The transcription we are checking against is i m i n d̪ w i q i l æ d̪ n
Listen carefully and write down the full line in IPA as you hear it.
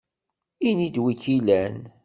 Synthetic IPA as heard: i n i d̪ w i k i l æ n